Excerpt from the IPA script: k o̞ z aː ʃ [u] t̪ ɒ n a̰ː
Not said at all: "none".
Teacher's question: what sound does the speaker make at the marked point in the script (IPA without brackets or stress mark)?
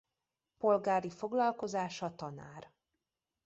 ɒ